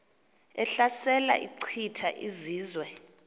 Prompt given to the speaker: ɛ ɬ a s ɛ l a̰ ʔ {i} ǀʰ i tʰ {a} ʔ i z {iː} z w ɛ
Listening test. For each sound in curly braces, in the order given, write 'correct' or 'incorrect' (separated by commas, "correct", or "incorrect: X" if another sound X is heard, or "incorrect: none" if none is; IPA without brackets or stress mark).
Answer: correct, correct, correct